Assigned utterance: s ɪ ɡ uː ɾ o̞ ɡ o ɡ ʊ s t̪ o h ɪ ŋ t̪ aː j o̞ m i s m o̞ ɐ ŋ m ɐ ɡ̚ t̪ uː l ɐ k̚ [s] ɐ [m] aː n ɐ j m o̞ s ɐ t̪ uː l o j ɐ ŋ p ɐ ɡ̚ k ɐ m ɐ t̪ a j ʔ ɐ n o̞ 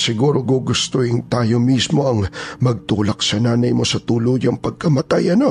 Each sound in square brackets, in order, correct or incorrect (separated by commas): correct, incorrect